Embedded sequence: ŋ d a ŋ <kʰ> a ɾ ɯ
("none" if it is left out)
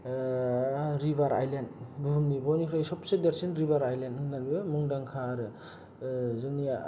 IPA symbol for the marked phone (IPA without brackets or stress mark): kʰ